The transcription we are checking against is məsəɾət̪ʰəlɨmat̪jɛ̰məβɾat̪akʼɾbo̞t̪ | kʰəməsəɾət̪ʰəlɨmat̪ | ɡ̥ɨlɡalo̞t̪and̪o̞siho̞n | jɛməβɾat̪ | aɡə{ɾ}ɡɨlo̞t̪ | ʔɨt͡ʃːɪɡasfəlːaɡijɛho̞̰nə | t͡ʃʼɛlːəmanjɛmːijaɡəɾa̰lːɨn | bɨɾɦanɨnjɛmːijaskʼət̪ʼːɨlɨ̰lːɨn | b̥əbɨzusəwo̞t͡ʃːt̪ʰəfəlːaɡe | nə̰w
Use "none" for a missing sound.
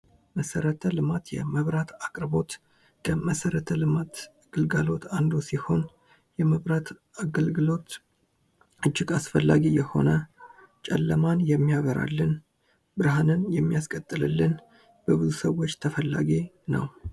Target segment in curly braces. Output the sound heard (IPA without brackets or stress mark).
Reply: l